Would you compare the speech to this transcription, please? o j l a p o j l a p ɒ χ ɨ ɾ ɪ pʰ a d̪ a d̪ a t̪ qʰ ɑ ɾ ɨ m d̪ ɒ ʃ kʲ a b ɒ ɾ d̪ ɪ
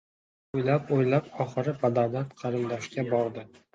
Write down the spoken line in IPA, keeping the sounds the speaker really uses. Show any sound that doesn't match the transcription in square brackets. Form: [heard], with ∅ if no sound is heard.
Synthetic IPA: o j l a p o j l a p ɒ χ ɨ ɾ ɪ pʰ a d̪ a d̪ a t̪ qʰ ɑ ɾ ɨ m d̪ ɒ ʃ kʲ a b ɒ ɾ d̪ ɪ